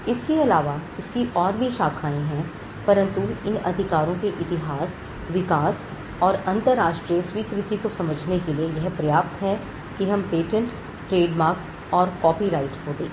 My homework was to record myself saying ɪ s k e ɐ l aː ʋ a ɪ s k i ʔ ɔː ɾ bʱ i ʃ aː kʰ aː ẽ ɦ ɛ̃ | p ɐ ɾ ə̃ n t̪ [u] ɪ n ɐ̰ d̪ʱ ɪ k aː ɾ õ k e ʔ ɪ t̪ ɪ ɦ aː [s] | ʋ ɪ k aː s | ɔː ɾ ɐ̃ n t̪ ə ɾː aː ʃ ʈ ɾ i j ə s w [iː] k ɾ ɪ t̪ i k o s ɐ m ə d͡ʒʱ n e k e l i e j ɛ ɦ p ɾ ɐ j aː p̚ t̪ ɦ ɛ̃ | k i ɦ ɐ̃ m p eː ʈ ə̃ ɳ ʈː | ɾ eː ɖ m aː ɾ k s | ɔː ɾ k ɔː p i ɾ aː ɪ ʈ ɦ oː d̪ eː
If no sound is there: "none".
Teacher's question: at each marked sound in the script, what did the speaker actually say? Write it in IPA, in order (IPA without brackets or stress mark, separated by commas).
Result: u, s, iː